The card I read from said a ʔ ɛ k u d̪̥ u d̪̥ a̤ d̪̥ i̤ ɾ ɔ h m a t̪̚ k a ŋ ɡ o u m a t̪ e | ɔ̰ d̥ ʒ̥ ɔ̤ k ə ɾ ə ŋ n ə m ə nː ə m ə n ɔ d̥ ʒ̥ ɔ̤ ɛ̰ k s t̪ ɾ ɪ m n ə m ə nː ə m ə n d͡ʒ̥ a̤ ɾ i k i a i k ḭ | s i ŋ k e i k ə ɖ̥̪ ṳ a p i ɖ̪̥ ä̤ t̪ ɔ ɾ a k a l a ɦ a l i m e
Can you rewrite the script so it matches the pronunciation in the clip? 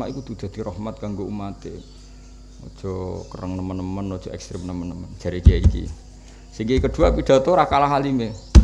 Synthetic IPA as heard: a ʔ i k u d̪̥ u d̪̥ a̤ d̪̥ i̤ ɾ ɔ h m a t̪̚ k a ŋ ɡ o u m a t̪ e | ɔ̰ d̥ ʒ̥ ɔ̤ k ə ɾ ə ŋ n ə m ə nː ə m ə n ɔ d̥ ʒ̥ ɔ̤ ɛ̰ k s t̪ ɾ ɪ m n ə m ə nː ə m ə n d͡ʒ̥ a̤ ɾ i k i a i k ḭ | s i ŋ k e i k ə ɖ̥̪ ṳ a p i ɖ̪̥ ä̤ t̪ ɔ ɾ a k a l a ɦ a l i m e